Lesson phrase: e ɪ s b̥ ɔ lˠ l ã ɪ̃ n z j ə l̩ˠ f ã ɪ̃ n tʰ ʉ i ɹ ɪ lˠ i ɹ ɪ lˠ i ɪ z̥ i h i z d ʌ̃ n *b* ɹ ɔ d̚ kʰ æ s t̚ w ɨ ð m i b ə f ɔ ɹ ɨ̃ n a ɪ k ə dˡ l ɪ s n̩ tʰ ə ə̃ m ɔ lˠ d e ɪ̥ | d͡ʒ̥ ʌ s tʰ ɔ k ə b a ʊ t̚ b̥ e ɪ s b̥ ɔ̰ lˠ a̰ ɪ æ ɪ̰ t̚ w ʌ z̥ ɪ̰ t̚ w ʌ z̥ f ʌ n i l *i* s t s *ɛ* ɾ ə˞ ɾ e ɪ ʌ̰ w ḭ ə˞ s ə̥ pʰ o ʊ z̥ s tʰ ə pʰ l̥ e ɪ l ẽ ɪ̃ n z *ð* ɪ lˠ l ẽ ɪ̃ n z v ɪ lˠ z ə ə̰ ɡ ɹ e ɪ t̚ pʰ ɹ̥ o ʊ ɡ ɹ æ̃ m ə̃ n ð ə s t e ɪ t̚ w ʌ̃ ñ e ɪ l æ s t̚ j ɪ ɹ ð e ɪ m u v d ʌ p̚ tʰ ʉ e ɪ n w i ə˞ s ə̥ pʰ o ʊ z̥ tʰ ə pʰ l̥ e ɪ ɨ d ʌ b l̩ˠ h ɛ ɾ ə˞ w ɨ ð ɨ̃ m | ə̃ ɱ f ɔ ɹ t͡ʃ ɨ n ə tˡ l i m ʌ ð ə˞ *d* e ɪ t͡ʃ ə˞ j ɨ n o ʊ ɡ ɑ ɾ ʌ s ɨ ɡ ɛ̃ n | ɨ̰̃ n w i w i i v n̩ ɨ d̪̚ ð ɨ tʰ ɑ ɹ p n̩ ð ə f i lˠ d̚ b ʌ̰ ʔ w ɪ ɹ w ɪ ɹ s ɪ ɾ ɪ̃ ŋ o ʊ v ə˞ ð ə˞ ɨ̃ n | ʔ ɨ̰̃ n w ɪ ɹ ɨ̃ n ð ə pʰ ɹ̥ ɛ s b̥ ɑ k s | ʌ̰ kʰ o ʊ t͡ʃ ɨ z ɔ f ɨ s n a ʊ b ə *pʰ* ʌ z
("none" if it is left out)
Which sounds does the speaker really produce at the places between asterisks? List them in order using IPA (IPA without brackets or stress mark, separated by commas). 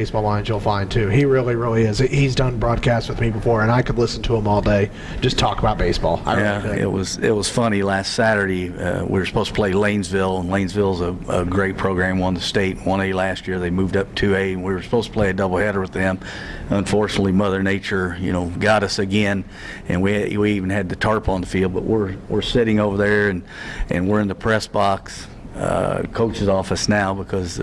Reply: b, æ, æ, v, n, kʰ